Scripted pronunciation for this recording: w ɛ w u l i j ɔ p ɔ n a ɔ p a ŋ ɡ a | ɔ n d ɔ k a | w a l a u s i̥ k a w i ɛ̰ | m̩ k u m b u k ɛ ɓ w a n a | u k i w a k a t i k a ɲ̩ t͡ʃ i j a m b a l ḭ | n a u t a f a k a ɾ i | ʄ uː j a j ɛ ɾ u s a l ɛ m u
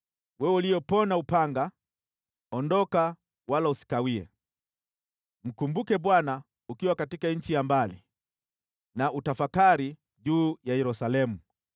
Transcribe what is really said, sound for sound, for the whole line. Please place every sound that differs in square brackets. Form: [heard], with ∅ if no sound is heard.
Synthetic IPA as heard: w ɛ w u l i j ɔ p ɔ n a [u] p a ŋ ɡ a | ɔ n d ɔ k a | w a l a u s i̥ k a w i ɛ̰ | m̩ k u m b u k ɛ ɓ w a n a | u k i w a k a t i k a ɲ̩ t͡ʃ i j a m b a l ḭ | n a u t a f a k a ɾ i | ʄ uː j a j ɛ ɾ u s a l ɛ m u